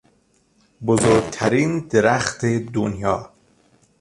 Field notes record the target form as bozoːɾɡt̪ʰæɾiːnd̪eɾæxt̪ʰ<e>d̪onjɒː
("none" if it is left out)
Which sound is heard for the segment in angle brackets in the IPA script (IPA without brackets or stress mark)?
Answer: e